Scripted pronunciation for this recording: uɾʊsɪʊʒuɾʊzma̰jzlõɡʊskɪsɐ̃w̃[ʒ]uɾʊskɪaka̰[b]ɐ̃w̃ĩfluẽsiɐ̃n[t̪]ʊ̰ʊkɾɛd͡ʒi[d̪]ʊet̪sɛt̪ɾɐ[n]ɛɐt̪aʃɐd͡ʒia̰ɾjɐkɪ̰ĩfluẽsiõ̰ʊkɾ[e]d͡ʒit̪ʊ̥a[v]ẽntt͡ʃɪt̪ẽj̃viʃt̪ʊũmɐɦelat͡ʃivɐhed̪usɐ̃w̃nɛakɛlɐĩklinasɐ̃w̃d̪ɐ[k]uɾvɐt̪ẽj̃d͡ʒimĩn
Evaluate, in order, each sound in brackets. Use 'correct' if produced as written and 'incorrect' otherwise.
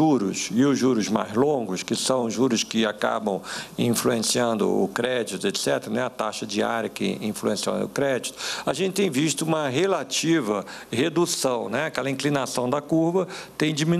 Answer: correct, correct, incorrect: d̪, incorrect: t̪, correct, incorrect: ɛ, incorrect: ʒ, correct

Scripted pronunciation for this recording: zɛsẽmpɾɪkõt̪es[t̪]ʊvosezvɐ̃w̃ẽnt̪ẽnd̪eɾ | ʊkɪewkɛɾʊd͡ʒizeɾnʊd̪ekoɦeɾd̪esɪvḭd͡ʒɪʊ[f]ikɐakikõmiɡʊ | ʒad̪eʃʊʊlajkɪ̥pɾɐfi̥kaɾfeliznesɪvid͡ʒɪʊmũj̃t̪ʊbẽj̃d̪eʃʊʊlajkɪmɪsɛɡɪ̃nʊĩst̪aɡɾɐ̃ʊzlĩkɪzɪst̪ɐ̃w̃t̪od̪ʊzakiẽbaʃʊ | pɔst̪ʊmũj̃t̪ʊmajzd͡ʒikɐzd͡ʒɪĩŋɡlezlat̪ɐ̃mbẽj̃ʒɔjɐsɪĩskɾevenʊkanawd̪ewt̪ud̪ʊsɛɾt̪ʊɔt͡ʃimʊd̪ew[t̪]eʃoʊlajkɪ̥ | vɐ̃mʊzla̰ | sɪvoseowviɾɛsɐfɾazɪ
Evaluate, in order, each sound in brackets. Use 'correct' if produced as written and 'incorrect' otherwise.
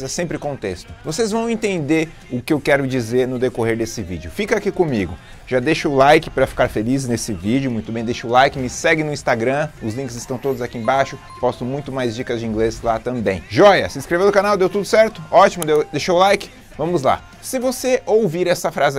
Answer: correct, correct, incorrect: d̪

